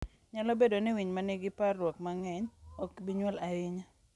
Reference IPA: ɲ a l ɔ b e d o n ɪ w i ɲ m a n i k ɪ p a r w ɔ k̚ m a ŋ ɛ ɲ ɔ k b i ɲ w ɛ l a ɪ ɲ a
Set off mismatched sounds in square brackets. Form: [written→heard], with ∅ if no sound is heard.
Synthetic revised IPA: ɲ a l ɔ b e d o n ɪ w i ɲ m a n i [k→ɡ] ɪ p a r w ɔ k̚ m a ŋ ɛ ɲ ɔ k b i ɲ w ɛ l a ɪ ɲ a